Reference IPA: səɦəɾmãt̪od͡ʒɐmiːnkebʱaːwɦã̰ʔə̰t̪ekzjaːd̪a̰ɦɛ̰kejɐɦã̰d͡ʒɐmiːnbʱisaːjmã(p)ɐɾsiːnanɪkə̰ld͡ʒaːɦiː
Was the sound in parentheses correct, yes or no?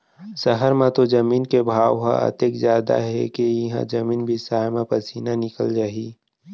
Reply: yes